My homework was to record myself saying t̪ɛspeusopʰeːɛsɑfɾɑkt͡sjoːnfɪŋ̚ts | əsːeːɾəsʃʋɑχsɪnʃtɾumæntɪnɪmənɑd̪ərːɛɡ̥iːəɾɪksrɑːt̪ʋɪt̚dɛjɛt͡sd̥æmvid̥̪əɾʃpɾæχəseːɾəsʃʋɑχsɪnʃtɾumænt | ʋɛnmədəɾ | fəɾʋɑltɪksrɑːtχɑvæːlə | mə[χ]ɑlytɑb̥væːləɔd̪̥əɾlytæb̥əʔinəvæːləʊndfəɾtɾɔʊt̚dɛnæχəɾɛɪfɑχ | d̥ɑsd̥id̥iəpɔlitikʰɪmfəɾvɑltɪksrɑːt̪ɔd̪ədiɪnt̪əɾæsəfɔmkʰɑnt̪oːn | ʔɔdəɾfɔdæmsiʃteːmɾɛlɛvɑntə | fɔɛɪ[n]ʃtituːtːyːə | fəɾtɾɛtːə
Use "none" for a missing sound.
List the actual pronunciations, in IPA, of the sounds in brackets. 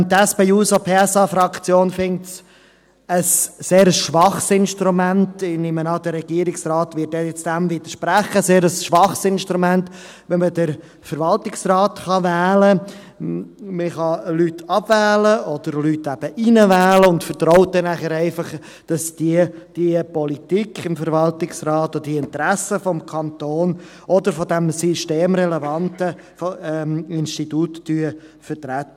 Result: χ, n

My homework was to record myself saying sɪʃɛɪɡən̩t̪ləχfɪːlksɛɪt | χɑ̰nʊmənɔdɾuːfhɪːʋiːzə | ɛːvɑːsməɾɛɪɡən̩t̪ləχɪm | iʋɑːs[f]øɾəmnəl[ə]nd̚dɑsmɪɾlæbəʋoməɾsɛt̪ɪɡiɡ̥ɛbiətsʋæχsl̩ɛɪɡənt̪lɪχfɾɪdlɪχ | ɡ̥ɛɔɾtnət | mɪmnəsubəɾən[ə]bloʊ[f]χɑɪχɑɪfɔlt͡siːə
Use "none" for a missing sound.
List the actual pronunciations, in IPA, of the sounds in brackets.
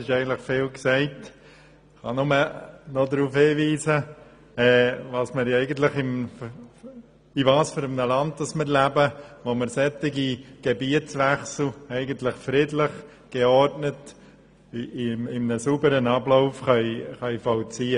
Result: f, ɑ, ɑ, f

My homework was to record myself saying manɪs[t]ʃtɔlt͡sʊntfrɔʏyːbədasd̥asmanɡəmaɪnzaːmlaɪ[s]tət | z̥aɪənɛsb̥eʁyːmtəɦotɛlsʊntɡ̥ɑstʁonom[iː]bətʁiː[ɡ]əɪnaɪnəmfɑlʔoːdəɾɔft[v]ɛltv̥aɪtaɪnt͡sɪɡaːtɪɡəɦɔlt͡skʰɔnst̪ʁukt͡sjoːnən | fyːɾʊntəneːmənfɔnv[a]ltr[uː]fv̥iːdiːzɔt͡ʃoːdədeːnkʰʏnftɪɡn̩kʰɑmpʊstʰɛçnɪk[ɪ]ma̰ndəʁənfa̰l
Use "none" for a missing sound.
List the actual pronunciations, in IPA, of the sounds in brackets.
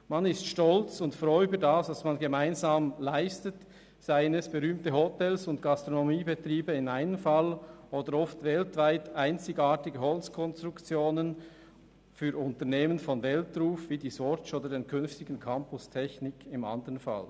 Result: t, s, iː, b, v, ɛ, uː, ɪ

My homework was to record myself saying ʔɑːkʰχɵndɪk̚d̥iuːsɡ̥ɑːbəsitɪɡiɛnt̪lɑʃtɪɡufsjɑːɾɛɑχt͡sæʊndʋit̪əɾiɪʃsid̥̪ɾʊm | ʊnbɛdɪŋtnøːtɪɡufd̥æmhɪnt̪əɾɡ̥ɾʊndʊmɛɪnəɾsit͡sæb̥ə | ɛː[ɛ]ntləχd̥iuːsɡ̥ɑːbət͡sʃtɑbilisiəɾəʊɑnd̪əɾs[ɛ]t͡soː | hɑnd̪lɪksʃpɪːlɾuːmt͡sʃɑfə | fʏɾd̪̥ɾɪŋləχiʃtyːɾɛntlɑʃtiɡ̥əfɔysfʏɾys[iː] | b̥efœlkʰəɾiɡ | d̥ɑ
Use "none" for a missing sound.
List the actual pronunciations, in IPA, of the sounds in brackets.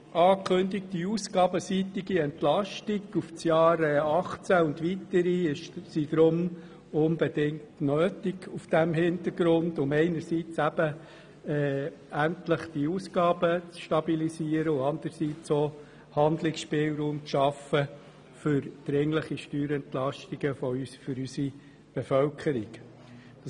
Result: æ, i, i

